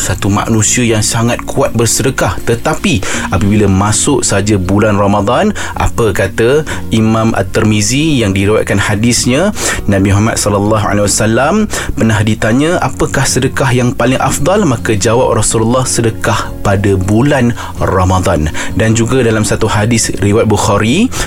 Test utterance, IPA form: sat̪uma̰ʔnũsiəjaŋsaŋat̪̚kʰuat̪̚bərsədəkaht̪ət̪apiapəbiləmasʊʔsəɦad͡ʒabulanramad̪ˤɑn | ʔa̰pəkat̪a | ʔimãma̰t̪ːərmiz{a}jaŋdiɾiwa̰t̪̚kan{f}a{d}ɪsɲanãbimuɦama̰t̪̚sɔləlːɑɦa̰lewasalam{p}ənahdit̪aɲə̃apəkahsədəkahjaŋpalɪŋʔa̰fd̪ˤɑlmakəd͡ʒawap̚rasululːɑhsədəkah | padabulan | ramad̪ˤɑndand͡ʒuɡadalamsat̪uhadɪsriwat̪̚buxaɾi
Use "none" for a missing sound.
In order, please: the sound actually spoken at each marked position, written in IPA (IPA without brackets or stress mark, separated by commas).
i, h, d, p